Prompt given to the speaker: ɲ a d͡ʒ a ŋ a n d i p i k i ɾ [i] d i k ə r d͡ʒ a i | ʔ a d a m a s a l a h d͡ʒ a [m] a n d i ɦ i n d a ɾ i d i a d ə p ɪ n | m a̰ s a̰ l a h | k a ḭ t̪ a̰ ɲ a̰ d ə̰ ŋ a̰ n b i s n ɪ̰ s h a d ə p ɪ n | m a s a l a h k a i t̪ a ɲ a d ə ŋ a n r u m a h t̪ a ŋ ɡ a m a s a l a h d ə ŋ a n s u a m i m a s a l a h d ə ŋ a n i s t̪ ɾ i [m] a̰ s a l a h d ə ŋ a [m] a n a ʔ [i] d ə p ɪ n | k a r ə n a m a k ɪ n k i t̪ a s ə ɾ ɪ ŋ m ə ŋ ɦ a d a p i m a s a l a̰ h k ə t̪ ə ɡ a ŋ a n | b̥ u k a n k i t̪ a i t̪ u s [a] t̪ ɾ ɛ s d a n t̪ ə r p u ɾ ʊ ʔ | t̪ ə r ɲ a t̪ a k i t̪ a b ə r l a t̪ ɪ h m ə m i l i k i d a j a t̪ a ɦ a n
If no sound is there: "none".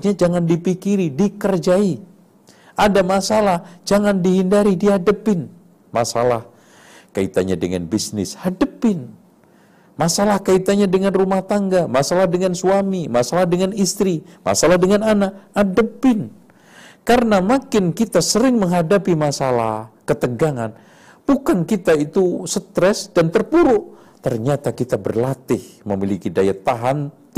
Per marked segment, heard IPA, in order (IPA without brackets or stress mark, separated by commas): i, ŋ, m, n, a, ə